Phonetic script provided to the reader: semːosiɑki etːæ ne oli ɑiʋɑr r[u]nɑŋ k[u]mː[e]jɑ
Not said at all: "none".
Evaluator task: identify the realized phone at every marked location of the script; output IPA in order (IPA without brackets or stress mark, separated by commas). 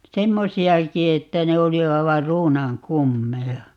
uː, u, e